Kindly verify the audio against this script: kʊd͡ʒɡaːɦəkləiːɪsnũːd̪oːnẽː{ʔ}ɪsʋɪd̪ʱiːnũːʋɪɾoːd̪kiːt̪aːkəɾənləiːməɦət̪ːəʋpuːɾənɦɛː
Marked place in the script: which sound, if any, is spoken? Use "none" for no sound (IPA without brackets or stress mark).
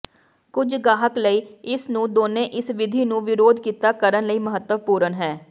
ʔ